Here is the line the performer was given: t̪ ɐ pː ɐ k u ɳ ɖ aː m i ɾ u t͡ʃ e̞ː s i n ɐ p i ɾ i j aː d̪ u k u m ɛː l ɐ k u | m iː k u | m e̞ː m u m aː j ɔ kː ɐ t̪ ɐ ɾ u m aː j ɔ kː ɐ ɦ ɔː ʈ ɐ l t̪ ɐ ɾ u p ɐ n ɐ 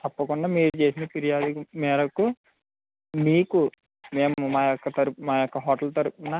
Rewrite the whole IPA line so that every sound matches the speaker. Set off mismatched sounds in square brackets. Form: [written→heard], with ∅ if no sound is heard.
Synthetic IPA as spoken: t̪ ɐ pː ɐ k u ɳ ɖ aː m [i→iː] ɾ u t͡ʃ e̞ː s i n ɐ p i ɾ i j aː d̪ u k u m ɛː [l→ɾ] ɐ k u | m iː k u | m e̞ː m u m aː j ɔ kː ɐ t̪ ɐ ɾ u m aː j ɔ kː ɐ ɦ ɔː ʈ ɐ l t̪ ɐ ɾ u p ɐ n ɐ

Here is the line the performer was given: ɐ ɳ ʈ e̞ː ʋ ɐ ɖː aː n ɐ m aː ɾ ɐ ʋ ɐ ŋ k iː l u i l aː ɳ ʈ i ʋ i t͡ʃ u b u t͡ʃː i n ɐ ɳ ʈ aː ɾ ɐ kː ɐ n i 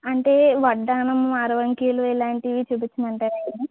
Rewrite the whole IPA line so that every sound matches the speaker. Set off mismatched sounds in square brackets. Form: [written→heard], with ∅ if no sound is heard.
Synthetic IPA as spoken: ɐ ɳ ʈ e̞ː ʋ ɐ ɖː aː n ɐ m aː ɾ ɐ ʋ ɐ ŋ k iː l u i l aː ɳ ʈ i ʋ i t͡ʃ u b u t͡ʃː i n ɐ ɳ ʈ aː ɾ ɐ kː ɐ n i

